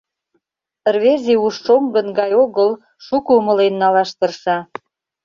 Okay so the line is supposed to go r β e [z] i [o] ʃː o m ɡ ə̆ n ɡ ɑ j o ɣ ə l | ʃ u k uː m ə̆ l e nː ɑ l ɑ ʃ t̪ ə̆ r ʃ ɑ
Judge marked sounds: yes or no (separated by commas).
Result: yes, no